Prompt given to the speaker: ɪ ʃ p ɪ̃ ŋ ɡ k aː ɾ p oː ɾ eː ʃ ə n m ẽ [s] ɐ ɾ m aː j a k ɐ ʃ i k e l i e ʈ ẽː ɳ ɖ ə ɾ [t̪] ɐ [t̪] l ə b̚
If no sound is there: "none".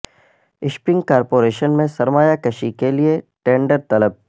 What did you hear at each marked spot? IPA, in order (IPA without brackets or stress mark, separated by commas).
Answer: s, t̪, none